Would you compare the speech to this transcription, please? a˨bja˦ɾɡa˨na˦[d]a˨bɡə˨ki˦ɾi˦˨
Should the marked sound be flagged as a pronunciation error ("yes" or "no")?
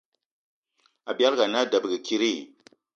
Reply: no